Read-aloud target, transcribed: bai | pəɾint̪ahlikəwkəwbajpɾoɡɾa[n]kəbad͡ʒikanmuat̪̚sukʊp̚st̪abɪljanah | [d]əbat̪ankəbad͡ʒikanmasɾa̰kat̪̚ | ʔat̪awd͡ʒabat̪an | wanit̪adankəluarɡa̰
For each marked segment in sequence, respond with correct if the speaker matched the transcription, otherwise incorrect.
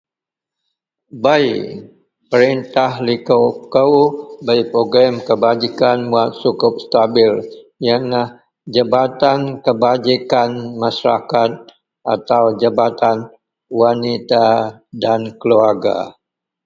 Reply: incorrect, incorrect

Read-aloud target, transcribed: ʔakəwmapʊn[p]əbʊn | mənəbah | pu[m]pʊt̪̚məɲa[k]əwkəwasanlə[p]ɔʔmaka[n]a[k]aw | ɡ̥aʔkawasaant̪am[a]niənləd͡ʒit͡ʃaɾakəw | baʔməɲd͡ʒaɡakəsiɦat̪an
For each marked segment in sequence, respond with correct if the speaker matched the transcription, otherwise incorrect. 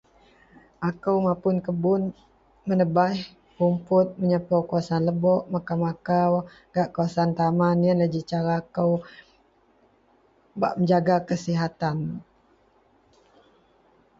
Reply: incorrect, correct, incorrect, incorrect, incorrect, correct, correct

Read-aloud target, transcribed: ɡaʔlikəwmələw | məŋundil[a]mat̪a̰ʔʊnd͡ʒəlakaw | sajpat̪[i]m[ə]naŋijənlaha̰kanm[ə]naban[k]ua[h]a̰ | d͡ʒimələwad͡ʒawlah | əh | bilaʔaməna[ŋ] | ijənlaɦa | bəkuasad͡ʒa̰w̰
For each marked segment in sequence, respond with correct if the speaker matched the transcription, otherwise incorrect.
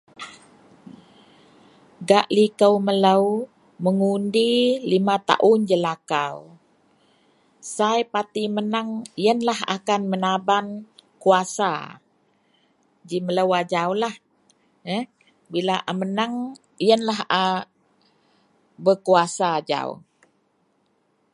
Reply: incorrect, correct, correct, correct, correct, incorrect, correct

